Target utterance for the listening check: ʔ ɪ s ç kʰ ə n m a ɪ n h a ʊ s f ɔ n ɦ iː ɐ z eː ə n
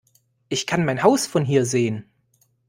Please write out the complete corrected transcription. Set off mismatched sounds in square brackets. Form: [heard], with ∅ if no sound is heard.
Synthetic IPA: ʔ ɪ [∅] ç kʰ [a] n m a ɪ n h a ʊ s f ɔ n ɦ iː ɐ z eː ə n